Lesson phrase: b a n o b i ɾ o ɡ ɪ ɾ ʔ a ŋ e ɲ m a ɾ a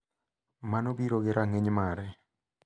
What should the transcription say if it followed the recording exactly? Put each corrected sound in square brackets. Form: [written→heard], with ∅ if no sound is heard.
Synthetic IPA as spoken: [b→m] a n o b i ɾ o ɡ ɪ ɾ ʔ a ŋ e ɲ m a ɾ [a→ɛ]